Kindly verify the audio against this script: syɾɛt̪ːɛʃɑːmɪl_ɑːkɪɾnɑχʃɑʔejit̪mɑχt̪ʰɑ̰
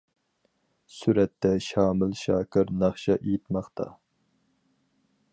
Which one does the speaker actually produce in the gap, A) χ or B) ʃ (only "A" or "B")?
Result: B